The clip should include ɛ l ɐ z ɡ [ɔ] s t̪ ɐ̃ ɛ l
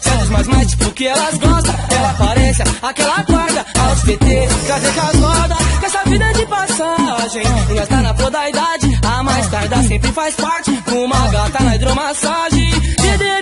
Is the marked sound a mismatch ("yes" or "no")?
no